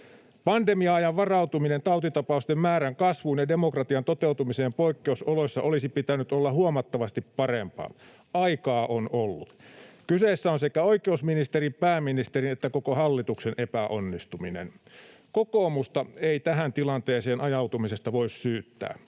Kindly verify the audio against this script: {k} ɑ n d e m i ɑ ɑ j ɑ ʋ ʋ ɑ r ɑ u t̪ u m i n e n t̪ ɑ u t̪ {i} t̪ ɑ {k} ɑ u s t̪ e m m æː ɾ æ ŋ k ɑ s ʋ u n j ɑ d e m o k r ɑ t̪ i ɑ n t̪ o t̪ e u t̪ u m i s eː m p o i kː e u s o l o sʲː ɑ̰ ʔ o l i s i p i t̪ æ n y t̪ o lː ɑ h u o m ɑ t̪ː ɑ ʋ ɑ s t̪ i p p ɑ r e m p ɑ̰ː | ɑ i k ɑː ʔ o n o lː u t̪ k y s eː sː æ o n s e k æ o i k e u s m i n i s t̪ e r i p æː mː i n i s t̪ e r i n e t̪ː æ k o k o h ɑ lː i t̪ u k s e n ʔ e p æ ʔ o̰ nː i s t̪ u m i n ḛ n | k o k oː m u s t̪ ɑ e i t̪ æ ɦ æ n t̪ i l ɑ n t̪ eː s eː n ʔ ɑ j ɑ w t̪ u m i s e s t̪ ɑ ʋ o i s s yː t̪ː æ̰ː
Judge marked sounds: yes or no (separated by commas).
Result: no, yes, no